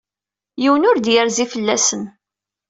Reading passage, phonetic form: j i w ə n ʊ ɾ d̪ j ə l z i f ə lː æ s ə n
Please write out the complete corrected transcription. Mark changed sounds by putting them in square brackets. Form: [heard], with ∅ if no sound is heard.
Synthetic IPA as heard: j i w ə n ʊ ɾ d̪ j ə [ɾ] z i f ə lː æ s ə n